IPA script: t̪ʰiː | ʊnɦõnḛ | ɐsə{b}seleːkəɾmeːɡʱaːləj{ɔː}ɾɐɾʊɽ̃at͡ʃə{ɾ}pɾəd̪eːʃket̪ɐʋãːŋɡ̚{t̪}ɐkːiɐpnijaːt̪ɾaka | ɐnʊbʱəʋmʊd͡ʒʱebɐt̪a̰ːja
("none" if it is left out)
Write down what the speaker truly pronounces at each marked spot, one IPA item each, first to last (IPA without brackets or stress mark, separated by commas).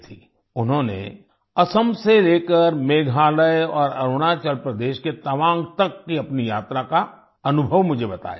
m, ɔː, l, t̪